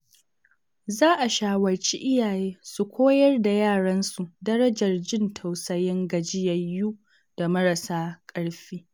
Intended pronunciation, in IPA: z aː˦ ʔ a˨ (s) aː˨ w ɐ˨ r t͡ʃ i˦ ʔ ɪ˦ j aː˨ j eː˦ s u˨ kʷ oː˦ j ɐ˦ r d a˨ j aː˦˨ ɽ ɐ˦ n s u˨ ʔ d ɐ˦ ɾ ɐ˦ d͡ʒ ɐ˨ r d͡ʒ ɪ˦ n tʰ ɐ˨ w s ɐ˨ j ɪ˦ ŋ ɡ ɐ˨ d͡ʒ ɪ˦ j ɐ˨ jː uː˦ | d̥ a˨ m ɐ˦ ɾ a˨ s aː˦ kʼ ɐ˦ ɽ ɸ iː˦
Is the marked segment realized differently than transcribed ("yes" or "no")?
yes